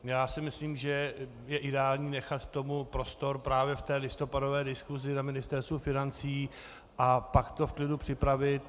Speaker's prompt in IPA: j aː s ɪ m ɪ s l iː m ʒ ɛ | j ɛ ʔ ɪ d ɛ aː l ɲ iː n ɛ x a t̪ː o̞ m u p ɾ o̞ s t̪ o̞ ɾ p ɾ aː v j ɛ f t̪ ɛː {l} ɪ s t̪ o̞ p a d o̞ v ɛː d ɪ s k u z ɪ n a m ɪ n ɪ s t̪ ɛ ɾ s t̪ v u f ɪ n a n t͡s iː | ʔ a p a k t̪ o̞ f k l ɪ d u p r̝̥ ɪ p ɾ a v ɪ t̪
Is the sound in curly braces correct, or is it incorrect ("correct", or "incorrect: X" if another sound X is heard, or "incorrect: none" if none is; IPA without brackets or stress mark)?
correct